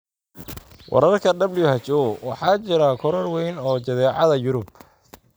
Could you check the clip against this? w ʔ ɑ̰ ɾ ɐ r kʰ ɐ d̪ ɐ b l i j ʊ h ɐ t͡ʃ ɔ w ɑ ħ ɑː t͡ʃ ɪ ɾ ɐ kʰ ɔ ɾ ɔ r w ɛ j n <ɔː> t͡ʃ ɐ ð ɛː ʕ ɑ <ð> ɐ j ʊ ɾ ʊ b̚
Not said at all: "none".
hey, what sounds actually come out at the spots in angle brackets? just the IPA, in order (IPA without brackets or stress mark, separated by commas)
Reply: ɔː, ð